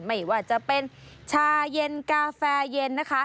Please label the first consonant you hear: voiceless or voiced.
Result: voiced